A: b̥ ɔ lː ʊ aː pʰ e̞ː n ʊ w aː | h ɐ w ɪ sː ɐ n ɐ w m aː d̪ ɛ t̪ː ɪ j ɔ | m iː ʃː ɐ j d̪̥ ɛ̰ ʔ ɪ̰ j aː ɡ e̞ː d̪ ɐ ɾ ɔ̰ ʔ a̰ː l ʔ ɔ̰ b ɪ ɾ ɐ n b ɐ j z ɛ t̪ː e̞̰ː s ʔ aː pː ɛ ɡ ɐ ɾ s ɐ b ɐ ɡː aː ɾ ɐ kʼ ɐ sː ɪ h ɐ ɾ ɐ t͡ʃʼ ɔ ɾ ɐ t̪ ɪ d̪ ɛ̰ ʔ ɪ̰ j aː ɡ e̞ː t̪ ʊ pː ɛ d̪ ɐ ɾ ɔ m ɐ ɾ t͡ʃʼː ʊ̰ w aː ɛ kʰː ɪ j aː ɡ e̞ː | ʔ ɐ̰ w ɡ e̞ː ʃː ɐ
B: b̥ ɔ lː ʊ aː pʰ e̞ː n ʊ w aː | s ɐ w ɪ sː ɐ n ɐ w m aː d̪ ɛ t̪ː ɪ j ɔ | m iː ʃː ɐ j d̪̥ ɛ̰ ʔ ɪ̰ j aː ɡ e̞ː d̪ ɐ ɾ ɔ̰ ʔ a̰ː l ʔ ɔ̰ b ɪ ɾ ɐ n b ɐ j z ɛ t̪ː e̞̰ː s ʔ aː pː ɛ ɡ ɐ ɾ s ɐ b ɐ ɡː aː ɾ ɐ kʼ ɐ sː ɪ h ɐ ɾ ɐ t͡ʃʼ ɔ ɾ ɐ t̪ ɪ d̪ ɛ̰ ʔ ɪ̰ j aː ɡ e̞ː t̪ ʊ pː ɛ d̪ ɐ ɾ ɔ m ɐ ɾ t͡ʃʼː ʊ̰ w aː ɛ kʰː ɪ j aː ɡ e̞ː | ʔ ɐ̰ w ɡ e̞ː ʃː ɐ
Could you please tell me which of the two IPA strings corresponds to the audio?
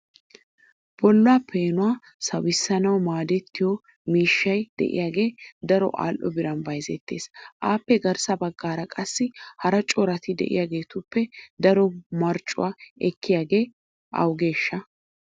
B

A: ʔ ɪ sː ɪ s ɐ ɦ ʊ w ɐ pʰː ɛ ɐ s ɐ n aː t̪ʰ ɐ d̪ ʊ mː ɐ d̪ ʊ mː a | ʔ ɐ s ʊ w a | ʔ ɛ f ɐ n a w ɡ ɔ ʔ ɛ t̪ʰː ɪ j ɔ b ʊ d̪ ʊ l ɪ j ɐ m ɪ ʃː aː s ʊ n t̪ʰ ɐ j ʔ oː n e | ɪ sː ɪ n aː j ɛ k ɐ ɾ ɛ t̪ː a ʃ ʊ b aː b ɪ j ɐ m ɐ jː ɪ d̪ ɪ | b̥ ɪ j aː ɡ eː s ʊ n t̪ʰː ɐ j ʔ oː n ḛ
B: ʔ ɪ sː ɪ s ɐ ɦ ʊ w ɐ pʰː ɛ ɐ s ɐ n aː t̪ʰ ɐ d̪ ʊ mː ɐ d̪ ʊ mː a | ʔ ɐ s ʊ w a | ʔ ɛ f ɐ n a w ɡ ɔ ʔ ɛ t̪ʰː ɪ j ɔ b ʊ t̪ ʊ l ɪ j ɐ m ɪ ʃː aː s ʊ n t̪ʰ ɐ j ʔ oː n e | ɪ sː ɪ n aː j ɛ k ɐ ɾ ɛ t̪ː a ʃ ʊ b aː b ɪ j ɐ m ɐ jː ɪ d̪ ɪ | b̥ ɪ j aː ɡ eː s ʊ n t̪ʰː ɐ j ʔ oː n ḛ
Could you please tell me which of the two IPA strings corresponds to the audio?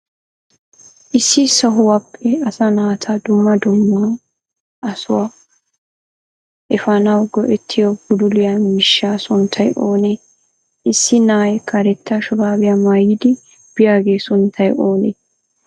A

